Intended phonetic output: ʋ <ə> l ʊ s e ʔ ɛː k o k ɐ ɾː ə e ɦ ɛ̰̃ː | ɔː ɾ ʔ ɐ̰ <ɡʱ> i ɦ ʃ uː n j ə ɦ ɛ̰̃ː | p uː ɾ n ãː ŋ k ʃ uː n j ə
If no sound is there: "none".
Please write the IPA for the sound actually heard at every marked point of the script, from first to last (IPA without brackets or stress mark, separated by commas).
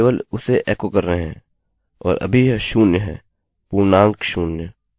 ə, bʱ